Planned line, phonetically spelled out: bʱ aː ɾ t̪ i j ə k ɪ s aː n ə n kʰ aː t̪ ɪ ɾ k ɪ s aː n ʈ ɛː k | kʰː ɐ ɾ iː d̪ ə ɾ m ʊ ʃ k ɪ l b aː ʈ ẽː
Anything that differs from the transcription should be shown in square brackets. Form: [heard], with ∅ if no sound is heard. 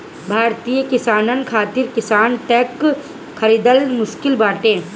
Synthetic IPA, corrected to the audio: bʱ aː ɾ t̪ i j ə k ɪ s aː n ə n kʰ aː t̪ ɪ ɾ k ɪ s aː n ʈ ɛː k | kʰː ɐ ɾ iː d̪ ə [l] m ʊ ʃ k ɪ l b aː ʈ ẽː